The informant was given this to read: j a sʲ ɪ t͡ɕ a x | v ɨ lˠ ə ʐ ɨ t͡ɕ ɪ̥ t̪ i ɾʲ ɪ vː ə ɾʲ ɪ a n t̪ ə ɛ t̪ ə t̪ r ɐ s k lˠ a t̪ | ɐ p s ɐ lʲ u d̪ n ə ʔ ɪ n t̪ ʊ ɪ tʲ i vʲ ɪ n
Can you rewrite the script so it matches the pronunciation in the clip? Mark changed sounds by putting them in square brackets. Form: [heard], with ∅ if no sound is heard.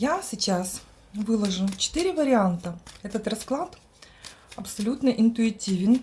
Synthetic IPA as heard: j a sʲ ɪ t͡ɕ a [s] | v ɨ lˠ ə ʐ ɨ t͡ɕ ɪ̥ t̪ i ɾʲ ɪ [v] ə ɾʲ ɪ a n t̪ ə ɛ t̪ ə t̪ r ɐ s k lˠ a t̪ | ɐ p s ɐ lʲ u [t̪] n ə ʔ ɪ n t̪ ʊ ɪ tʲ i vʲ ɪ n

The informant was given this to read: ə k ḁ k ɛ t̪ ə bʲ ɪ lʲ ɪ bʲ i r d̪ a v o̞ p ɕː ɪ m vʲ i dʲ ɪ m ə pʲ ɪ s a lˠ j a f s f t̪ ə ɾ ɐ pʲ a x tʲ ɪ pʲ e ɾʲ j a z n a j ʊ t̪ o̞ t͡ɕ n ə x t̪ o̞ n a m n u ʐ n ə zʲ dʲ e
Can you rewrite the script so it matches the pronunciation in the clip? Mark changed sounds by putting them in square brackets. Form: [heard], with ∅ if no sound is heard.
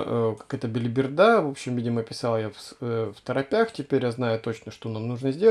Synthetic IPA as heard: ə k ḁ k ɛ t̪ ə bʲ ɪ lʲ ɪ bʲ [ɪ] r d̪ a v o̞ p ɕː ɪ m vʲ i dʲ ɪ m ə pʲ ɪ s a lˠ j a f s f t̪ ə ɾ ɐ pʲ a x tʲ ɪ pʲ e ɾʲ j a z n a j ʊ t̪ o̞ t͡ɕ n ə [ʂ] t̪ o̞ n a m n u ʐ n ə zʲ dʲ e

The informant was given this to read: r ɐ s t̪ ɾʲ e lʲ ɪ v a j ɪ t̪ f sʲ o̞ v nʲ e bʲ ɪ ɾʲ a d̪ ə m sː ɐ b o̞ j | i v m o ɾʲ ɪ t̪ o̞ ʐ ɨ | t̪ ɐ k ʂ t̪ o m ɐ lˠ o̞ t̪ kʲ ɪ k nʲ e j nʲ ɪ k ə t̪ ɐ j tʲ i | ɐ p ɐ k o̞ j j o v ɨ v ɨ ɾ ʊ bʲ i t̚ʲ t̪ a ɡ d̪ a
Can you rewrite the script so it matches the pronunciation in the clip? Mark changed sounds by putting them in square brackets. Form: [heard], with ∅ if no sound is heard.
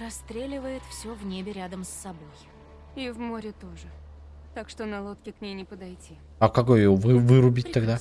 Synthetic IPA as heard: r ɐ s t̪ ɾʲ e lʲ ɪ v [ə] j ɪ t̪ f sʲ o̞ v nʲ e bʲ ɪ ɾʲ a d̪ ə m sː ɐ b o̞ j | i v m o ɾʲ ɪ t̪ o̞ ʐ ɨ | t̪ [a] k ʂ t̪ o [n] ɐ lˠ o̞ t̪ kʲ ɪ k nʲ e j nʲ ɪ [p] ə [d̪] ɐ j tʲ i | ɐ [k] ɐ k o̞ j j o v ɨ v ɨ ɾ ʊ bʲ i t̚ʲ t̪ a ɡ d̪ a

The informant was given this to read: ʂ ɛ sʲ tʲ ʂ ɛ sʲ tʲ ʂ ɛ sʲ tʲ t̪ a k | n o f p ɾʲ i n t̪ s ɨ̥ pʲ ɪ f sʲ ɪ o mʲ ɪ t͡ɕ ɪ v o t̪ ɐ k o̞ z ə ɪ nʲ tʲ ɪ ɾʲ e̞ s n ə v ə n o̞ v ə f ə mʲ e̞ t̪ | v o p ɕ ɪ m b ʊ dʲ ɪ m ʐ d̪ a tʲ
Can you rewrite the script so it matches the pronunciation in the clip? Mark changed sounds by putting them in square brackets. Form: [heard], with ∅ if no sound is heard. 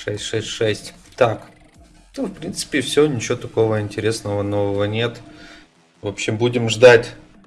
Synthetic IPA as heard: ʂ ɛ sʲ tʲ ʂ ɛ sʲ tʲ ʂ ɛ sʲ tʲ t̪ a k | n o f p ɾʲ i n t̪ s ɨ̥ pʲ ɪ f sʲ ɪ o [nʲ] ɪ t͡ɕ ɪ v o t̪ ɐ k o̞ [v] ə ɪ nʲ tʲ ɪ ɾʲ e̞ s n ə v ə n o̞ v ə [v] ə [nʲ] e̞ t̪ | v o p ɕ ɪ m b [u] dʲ ɪ m ʐ d̪ a tʲ

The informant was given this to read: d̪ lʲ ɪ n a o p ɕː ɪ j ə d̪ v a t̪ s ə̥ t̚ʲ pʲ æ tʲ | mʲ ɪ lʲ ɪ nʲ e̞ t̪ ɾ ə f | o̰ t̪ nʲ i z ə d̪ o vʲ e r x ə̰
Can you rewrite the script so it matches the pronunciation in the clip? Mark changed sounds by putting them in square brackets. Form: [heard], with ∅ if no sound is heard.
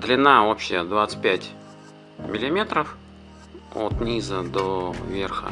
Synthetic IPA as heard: d̪ lʲ ɪ n a o p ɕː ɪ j ə d̪ v a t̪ s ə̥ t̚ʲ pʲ æ tʲ | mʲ ɪ lʲ ɪ [mʲ] e̞ t̪ ɾ ə f | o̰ t̪ nʲ i z ə d̪ o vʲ e r x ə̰

